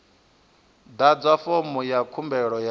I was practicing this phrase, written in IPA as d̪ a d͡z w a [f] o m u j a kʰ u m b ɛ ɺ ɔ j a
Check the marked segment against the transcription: correct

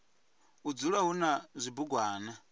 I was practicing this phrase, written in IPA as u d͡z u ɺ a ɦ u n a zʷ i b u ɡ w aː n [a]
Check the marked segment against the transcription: correct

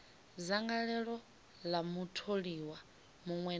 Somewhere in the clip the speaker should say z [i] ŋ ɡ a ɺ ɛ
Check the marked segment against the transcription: incorrect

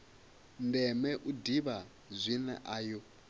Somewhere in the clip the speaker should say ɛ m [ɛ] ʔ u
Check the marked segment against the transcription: correct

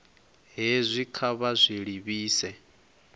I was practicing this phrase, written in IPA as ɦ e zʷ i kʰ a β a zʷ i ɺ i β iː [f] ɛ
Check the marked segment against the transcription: incorrect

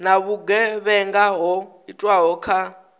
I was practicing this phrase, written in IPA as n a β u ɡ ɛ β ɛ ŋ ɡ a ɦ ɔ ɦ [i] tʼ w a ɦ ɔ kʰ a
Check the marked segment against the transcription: correct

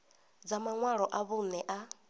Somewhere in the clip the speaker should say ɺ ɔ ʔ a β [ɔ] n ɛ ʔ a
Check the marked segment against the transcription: incorrect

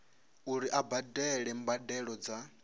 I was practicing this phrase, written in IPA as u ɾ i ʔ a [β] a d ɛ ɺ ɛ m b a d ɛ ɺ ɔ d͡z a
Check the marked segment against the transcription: incorrect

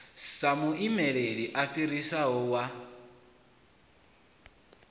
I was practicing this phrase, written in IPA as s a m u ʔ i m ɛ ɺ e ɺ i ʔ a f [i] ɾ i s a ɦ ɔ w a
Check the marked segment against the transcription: correct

